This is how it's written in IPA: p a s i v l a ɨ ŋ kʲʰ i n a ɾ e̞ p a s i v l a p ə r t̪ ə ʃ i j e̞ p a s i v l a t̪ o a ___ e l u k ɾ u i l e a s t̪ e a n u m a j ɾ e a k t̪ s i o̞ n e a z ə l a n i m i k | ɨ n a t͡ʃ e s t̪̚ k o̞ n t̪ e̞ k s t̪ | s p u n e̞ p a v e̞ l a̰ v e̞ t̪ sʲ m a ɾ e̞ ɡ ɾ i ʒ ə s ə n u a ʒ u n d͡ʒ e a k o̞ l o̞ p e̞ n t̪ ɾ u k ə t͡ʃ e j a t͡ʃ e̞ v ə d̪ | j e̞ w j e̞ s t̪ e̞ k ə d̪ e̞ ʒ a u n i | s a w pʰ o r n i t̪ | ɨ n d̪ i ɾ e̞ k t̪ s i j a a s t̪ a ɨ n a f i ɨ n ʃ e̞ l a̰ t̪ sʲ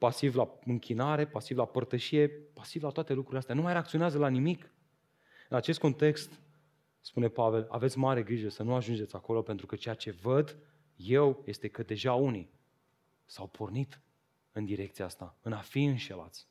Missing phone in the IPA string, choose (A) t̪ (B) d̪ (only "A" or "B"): A